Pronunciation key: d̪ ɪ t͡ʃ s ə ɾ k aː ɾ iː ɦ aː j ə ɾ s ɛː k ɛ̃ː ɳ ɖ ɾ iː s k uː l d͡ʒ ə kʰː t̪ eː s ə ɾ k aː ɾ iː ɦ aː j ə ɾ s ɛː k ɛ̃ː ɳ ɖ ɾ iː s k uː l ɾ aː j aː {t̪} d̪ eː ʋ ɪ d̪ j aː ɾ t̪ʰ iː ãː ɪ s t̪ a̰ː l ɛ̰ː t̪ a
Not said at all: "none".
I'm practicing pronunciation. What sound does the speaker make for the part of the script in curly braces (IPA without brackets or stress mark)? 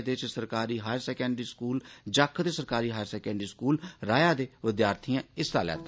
none